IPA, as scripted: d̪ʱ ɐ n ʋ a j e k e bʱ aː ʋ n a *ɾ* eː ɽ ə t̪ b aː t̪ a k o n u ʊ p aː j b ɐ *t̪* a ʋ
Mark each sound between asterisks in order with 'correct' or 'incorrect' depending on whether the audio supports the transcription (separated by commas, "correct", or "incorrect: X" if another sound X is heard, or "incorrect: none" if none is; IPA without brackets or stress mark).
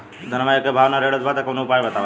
correct, correct